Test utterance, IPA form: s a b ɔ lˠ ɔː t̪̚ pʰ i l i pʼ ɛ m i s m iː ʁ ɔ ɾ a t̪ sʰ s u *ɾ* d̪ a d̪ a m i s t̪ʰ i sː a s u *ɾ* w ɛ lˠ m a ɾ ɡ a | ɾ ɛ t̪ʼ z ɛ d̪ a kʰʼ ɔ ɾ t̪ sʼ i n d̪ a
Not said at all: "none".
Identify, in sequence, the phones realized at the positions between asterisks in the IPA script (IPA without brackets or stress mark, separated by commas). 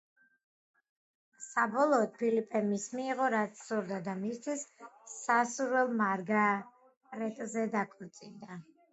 ɾ, ɾ